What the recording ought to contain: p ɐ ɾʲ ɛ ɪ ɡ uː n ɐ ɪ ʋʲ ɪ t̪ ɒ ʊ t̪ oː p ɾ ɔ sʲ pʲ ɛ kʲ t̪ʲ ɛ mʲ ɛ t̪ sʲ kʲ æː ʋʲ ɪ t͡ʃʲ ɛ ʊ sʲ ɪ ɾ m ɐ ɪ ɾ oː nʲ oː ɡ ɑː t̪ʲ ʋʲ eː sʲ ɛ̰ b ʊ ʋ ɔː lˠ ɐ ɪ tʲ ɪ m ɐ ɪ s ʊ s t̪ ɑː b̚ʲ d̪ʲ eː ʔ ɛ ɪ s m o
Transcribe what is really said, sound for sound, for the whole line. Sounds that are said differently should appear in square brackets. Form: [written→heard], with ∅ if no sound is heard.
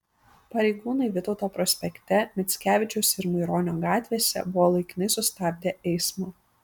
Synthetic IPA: p ɐ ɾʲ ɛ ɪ ɡ uː n ɐ ɪ ʋʲ ɪ t̪ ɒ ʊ t̪ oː p ɾ ɔ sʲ pʲ ɛ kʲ t̪ʲ ɛ mʲ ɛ t̪ sʲ kʲ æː ʋʲ ɪ t͡ʃʲ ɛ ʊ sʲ ɪ ɾ m ɐ ɪ ɾ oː nʲ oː ɡ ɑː t̪ʲ ʋʲ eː sʲ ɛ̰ b ʊ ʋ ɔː lˠ ɐ ɪ [tʲ→kʲ] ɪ [m→n] ɐ ɪ s ʊ s t̪ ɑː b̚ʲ d̪ʲ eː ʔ ɛ ɪ s m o